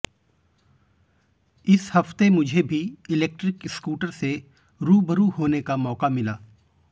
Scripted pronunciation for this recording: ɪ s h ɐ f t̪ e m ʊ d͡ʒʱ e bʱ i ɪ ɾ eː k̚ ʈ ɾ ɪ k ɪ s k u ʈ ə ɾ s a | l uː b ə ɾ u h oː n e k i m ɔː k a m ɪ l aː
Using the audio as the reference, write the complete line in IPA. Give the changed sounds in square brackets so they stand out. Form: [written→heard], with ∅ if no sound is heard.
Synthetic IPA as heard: ɪ s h ɐ f t̪ e m ʊ d͡ʒʱ e bʱ i ɪ [ɾ→l] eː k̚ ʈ ɾ ɪ k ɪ s k [u→uː] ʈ ə ɾ s [a→e] | [l→ɾ] uː b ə ɾ u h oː n e k [i→a] m ɔː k a m ɪ l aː